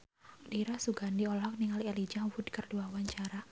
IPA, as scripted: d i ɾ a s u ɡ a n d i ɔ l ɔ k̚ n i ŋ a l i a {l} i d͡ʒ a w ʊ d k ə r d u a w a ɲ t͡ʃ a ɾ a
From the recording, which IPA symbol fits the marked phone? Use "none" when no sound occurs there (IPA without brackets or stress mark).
l